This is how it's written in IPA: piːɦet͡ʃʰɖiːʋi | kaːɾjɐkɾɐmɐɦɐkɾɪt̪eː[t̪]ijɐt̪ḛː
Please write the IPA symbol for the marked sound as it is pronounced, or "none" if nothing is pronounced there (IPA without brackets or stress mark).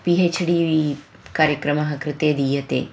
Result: d̪